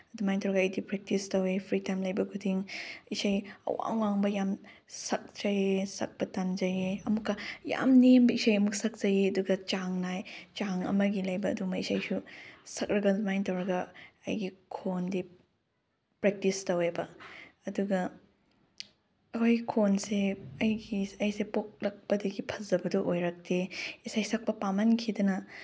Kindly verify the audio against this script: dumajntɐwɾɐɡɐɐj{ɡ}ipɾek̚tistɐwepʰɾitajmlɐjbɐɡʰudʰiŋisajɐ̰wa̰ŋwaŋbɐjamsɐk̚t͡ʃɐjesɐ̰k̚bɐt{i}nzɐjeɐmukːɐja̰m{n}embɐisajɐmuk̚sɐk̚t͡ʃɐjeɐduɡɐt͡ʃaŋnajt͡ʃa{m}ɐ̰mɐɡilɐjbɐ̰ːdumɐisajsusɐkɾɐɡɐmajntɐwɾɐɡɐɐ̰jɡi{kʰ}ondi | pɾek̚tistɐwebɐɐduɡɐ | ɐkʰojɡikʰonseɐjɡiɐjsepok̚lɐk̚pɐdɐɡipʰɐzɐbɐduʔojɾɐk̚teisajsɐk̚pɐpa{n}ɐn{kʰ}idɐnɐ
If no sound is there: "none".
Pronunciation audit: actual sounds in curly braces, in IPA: d, a, n, ŋ, kʰ, m, kʰ

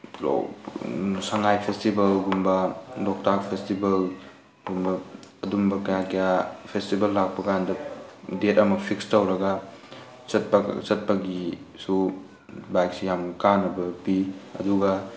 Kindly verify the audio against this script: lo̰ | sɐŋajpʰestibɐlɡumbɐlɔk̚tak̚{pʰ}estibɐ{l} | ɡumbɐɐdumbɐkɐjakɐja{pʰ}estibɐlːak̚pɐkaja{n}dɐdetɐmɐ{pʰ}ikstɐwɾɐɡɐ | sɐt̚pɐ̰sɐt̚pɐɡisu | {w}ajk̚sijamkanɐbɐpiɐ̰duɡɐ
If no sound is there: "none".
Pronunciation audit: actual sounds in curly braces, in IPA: pʰ, l, pʰ, n, pʰ, b

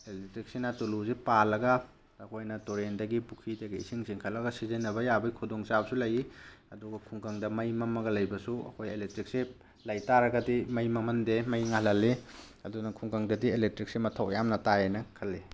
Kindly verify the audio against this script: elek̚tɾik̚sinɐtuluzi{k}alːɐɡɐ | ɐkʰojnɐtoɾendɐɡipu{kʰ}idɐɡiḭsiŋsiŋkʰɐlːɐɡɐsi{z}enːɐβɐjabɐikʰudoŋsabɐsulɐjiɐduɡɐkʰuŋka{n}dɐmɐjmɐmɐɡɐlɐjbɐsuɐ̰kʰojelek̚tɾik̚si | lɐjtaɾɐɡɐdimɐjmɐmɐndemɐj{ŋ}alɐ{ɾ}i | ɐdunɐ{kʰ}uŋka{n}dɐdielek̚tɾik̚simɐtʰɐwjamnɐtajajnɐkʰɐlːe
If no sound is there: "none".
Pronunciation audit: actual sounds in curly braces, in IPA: p, kʰ, z, ŋ, ŋ, l, kʰ, ŋ

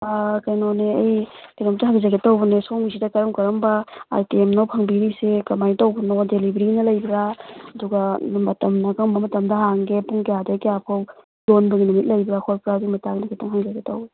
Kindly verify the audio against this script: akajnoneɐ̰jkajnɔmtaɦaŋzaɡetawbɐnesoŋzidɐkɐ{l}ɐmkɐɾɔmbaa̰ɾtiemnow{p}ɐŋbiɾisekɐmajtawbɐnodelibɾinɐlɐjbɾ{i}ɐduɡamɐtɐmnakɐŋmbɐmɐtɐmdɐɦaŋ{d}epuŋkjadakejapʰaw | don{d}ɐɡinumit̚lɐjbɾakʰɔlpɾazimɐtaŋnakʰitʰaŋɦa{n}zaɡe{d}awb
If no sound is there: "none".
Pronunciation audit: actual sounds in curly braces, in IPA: ɾ, pʰ, a, ɡ, b, ŋ, t

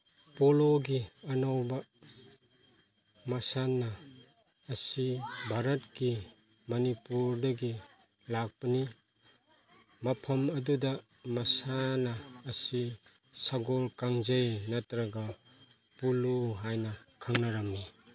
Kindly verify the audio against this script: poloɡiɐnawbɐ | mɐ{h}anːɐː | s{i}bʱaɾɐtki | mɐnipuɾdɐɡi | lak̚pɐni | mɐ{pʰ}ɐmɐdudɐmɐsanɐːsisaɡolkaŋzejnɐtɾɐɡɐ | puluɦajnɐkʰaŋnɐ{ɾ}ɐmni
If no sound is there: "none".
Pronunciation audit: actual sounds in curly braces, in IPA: s, i, pʰ, ɾ

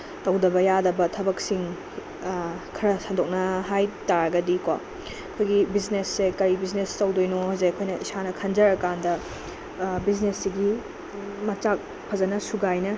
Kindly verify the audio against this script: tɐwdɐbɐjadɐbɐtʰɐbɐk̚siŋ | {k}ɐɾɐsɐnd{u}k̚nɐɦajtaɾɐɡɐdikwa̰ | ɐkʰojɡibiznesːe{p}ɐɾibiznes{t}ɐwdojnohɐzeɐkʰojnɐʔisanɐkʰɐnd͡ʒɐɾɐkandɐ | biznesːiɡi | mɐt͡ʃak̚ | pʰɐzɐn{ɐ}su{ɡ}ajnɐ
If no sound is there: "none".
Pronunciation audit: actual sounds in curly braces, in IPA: kʰ, o, k, t, ɐ, ɡ

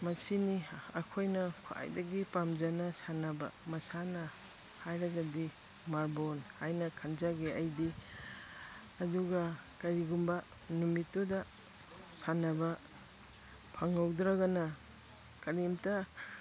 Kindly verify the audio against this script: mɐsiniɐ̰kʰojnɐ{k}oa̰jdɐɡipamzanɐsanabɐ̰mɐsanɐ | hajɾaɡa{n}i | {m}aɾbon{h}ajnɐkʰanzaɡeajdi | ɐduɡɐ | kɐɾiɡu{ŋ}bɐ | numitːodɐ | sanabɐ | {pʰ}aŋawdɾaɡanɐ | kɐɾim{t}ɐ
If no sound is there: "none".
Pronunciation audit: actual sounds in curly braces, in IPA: kʰ, d, m, h, m, pʰ, t

